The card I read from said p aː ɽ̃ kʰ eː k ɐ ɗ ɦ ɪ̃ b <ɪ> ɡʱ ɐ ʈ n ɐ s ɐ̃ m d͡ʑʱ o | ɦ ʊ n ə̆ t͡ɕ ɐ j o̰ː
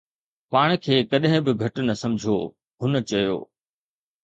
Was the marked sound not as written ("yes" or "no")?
no